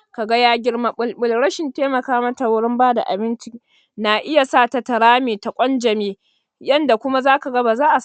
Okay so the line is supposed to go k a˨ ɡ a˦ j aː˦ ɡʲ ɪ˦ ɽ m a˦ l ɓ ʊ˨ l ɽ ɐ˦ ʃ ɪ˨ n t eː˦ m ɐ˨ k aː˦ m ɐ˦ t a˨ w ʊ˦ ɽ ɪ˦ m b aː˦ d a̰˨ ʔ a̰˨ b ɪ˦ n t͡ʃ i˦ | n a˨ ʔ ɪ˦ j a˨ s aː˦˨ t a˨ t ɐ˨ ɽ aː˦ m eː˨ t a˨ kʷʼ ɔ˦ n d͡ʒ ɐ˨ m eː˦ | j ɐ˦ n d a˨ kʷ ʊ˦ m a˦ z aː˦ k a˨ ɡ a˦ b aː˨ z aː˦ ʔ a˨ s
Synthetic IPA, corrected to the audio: k a˨ ɡ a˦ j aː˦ ɡʲ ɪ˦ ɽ m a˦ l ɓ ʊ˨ l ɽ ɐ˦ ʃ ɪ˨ n t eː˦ m ɐ˨ k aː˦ m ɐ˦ t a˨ w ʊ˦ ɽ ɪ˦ m b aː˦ d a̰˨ ʔ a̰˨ b ɪ˦ n t͡ʃ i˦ | n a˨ ʔ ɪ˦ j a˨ s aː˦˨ t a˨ t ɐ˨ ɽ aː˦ m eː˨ t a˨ kʷʼ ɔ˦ n d͡ʒ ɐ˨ m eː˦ | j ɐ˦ n d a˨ kʷ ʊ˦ m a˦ z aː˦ k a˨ ɡ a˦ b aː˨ z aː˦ ʔ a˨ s